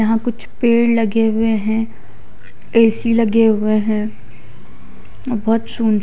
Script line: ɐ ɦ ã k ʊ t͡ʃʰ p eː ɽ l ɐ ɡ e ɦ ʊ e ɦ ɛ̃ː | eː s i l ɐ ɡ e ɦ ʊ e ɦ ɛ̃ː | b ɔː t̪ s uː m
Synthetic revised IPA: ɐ ɦ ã k ʊ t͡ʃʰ p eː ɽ l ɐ ɡ e ɦ ʊ e ɦ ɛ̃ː | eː s i l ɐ ɡ e ɦ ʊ e ɦ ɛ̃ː | b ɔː t̪ s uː n